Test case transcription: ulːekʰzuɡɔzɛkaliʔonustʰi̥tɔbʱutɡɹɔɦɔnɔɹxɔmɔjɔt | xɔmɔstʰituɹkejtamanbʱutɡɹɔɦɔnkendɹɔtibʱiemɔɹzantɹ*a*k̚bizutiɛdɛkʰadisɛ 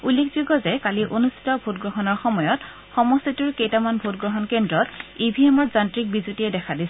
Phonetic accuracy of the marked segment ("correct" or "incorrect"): incorrect